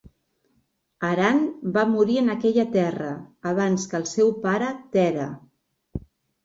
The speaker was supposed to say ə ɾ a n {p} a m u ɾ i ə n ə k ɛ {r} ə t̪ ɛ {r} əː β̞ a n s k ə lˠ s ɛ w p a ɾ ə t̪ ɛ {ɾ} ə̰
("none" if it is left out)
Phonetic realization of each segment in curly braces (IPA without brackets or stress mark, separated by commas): b, ʎ, r, ɾ